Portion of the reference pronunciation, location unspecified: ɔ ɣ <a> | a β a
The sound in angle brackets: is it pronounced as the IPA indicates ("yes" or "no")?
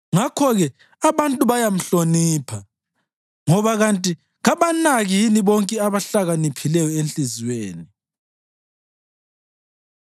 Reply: no